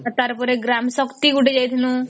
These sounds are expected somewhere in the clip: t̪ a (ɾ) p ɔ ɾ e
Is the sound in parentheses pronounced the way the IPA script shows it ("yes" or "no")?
yes